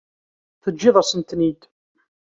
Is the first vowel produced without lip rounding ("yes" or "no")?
yes